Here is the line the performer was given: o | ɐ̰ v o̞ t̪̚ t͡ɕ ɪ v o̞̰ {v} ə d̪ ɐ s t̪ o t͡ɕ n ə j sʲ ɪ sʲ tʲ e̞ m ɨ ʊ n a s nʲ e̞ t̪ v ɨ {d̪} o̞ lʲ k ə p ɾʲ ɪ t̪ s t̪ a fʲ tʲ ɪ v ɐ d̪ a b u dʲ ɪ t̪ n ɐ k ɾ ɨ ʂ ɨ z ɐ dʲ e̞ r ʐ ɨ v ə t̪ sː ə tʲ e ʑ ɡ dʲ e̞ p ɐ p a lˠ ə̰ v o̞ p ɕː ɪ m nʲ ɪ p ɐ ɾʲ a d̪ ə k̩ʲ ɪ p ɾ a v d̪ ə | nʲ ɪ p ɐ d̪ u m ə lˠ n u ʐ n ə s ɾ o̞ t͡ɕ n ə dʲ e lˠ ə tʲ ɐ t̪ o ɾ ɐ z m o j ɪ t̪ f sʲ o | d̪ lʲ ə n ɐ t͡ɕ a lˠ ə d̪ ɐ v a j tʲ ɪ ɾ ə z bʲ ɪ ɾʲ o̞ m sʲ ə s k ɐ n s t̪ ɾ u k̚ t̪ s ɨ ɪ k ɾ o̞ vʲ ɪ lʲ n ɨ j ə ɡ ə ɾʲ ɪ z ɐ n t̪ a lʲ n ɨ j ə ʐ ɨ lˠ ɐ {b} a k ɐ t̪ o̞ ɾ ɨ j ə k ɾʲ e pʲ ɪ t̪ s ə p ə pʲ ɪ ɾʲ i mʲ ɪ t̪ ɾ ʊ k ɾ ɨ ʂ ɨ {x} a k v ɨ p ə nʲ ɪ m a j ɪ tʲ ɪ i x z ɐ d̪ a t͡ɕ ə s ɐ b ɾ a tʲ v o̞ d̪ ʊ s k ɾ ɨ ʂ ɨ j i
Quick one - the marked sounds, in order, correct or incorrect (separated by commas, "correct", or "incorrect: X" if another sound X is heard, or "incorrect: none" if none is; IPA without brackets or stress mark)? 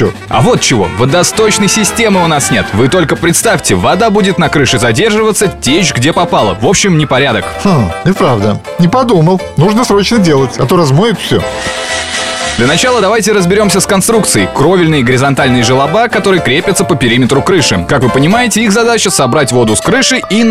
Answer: correct, incorrect: t̪, correct, incorrect: k